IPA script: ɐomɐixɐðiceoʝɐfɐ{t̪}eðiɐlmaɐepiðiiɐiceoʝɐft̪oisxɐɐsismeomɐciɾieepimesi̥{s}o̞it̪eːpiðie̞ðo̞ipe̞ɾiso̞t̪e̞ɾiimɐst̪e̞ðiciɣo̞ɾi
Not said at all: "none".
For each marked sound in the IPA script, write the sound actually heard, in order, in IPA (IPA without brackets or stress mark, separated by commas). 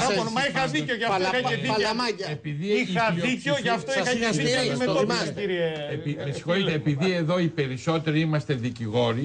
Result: none, x